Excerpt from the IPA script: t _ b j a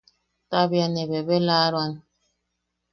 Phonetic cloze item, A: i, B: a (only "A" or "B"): B